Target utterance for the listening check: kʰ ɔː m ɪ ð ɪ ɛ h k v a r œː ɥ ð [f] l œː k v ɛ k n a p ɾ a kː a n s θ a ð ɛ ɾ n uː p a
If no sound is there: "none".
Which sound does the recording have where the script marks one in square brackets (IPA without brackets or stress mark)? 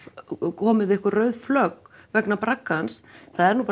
f